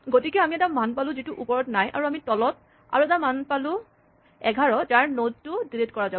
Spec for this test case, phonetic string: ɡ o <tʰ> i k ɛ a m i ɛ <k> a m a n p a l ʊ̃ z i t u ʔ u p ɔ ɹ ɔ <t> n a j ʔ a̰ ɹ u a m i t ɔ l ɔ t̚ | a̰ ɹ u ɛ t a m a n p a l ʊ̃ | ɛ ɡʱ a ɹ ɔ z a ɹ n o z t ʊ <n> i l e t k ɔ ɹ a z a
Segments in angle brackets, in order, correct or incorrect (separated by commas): incorrect, incorrect, correct, incorrect